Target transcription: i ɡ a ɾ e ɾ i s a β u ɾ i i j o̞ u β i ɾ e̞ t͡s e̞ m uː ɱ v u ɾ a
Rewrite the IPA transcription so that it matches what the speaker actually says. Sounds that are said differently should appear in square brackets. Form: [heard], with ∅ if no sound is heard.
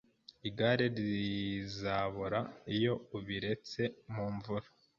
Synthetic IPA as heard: i ɡ a ɾ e ɾ i [z] a β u ɾ [a] i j o̞ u β i ɾ e̞ t͡s e̞ m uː ɱ v u ɾ a